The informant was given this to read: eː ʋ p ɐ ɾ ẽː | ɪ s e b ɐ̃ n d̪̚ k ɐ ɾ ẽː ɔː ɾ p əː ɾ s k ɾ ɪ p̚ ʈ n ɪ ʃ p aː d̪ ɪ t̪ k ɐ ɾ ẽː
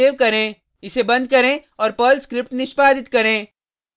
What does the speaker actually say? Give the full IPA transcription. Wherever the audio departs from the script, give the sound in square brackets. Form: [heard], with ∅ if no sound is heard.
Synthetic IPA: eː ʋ [k] ɐ ɾ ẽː | ɪ s e b ɐ̃ n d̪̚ k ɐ ɾ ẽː ɔː ɾ p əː [l] s k ɾ ɪ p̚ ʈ n ɪ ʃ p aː d̪ ɪ t̪ k ɐ ɾ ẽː

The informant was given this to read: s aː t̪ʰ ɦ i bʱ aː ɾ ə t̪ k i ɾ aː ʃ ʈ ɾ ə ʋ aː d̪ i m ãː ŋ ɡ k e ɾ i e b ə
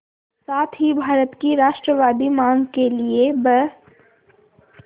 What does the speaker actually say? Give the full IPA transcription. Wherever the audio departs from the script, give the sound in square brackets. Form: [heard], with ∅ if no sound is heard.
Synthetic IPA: s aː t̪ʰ ɦ i bʱ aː ɾ ə t̪ k i ɾ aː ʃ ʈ ɾ ə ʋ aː d̪ i m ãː ŋ ɡ k e [l] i e b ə

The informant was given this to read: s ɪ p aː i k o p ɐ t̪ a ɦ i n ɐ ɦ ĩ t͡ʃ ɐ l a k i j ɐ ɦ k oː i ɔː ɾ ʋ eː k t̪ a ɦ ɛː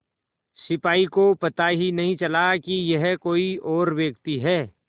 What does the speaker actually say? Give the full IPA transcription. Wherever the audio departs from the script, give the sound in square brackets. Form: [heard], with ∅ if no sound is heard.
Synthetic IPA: s ɪ p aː i k o p ɐ t̪ a ɦ i n ɐ ɦ ĩ t͡ʃ ɐ l a k i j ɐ ɦ k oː i ɔː ɾ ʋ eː k t̪ [i] ɦ ɛː

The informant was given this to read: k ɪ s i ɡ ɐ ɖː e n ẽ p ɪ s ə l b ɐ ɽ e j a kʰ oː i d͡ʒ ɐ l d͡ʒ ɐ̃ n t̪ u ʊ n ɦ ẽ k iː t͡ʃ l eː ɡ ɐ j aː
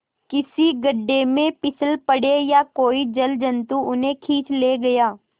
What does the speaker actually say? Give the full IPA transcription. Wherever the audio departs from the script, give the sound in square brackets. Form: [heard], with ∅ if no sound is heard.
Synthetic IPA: k ɪ s i ɡ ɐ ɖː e [m] ẽ p ɪ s ə l [p] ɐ ɽ e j a [k] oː i d͡ʒ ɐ l d͡ʒ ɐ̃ n t̪ u ʊ n ɦ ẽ [kʰ] iː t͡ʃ l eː ɡ ɐ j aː

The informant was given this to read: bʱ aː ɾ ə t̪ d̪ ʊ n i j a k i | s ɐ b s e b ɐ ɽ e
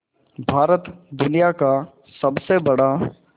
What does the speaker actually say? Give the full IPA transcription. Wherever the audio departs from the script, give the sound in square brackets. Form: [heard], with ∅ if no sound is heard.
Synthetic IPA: bʱ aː ɾ ə t̪ d̪ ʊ n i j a k [a] | s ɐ b s e b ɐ ɽ [a]

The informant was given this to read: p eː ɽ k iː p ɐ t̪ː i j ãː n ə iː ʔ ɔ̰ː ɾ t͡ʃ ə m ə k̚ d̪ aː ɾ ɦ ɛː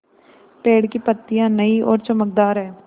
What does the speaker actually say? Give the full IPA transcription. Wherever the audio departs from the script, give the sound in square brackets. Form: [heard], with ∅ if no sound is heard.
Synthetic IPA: p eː ɽ k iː p [ə] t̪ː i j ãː n ə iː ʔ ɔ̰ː ɾ t͡ʃ ə m ə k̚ d̪ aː ɾ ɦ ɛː

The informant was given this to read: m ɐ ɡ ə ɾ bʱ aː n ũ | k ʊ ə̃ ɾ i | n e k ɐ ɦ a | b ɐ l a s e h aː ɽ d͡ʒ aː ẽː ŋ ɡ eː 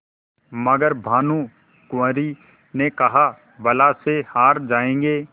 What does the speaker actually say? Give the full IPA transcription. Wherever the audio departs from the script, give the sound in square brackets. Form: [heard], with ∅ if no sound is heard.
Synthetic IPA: m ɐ ɡ ə ɾ bʱ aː n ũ | k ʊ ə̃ ɾ i | n e k ɐ ɦ a | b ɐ l a s e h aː [ɾ] d͡ʒ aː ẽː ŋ ɡ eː

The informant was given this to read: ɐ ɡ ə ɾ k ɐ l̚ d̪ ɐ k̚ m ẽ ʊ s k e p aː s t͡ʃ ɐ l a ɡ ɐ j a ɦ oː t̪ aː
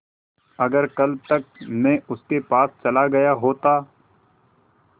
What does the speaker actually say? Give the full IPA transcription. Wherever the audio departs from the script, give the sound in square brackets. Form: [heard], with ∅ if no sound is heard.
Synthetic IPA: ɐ ɡ ə ɾ k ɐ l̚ [t̪] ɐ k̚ m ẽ ʊ s k e p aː s t͡ʃ ɐ l a ɡ ɐ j a ɦ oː t̪ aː

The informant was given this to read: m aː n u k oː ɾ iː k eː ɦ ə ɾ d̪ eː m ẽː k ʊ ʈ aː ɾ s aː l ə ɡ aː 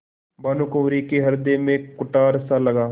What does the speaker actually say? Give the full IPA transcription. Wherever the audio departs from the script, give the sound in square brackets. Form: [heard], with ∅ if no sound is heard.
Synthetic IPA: [b] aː n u k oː ɾ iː k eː ɦ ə ɾ d̪ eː m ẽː k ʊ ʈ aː ɾ s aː l ə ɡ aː

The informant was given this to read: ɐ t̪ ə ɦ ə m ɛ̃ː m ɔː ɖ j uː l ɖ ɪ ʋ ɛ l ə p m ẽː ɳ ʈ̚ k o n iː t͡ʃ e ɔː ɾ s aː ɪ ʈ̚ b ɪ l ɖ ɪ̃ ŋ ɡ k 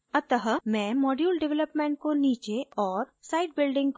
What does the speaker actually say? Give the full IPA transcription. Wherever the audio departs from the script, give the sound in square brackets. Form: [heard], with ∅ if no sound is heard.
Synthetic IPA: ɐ t̪ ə ɦ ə m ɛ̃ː m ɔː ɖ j uː l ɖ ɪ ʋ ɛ l ə p m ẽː ɳ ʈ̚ k o n iː t͡ʃ e ɔː ɾ s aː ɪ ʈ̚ b ɪ l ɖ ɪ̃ ŋ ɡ k

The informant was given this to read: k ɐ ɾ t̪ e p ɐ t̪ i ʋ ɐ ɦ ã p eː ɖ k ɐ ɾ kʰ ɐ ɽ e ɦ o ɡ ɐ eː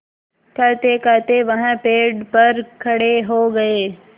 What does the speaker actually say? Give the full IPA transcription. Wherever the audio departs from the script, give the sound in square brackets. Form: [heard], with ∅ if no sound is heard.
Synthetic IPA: k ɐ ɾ t̪ e [k] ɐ t̪ [e] ʋ ɐ ɦ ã p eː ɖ [p] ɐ ɾ kʰ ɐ ɽ e ɦ o ɡ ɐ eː

